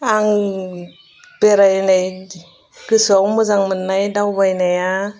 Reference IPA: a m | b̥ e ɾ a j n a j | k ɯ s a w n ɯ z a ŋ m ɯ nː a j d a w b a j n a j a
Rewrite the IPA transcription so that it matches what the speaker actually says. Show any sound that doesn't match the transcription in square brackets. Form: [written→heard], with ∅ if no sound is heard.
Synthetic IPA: a [m→ŋ] | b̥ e ɾ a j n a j | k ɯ s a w [n→m] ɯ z a ŋ m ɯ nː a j d a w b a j n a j a